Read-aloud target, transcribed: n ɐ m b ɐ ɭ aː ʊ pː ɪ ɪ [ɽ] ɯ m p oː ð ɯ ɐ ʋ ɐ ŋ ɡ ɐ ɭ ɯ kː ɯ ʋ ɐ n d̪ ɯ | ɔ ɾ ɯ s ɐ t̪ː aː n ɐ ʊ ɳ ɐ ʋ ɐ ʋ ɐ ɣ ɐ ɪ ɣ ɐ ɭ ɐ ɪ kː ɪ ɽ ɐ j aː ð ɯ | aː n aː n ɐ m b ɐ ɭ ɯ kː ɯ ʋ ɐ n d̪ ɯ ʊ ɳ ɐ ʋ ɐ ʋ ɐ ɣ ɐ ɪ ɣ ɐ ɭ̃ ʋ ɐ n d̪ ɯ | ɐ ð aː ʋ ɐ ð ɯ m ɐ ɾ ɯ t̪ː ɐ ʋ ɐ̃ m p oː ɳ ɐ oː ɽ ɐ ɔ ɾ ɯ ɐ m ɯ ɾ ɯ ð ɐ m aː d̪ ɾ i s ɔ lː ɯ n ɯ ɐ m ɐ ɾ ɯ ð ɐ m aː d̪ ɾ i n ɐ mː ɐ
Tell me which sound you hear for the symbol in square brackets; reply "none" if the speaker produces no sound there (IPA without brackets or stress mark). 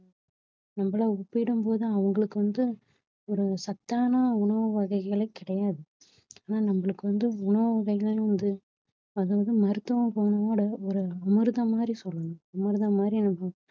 ɽ